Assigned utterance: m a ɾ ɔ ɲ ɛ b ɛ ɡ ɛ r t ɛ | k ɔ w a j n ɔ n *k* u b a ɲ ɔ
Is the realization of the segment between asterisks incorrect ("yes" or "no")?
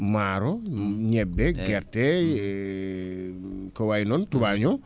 yes